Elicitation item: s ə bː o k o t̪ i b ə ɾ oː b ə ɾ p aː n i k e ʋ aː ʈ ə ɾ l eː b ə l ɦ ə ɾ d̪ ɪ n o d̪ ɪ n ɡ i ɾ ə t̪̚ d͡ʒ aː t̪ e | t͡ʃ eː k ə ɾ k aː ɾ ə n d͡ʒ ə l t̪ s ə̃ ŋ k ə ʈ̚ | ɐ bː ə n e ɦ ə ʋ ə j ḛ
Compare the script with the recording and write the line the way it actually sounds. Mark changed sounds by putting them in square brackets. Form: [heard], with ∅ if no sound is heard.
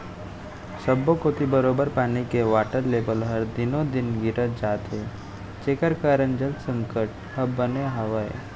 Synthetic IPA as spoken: s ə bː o k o t̪ i b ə ɾ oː b ə ɾ p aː n i k e ʋ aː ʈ ə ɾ l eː b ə l ɦ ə ɾ d̪ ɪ n o d̪ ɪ n ɡ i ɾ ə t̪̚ d͡ʒ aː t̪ e | t͡ʃ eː k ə ɾ k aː ɾ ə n d͡ʒ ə l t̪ s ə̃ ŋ k ə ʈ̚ | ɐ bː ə n e ɦ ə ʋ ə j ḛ

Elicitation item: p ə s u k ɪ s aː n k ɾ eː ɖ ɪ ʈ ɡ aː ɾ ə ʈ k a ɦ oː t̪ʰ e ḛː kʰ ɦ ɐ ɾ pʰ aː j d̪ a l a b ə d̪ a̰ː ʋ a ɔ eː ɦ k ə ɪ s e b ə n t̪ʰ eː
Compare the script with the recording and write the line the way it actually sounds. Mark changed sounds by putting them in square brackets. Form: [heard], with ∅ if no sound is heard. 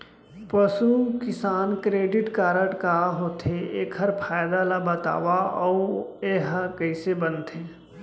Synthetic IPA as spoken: p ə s u k ɪ s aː n k ɾ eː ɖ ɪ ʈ [k] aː ɾ ə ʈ k a ɦ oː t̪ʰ e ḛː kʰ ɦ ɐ ɾ pʰ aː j d̪ a l a b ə [t̪] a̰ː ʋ a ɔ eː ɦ k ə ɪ s e b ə n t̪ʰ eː

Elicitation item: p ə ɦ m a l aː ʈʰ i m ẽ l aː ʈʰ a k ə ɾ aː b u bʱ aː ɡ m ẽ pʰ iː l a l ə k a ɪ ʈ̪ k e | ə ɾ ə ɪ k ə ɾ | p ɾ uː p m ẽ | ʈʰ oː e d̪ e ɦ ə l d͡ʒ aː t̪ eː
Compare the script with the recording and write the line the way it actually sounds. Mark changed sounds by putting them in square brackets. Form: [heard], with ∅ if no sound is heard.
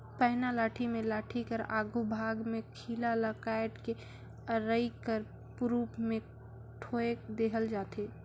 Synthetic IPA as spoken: p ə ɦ [n] a l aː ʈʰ i m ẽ l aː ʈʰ [i] k ə ɾ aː [ɡ] u bʱ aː ɡ m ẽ [kʰ] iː l a l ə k a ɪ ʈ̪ k e | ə ɾ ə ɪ k ə ɾ | p ɾ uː p m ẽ | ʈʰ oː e d̪ e ɦ ə l d͡ʒ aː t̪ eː

